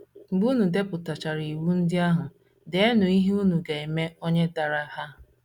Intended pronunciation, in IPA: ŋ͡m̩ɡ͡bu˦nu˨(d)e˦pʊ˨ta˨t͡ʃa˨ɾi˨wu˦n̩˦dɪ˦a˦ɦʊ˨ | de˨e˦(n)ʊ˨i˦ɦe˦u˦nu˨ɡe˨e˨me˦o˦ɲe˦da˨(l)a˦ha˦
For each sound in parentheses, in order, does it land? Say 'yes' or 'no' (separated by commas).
yes, yes, no